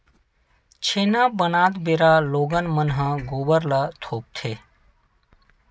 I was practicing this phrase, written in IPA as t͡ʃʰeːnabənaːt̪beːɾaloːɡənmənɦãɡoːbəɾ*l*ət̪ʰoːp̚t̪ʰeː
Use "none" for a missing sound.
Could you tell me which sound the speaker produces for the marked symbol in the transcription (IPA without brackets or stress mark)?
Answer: l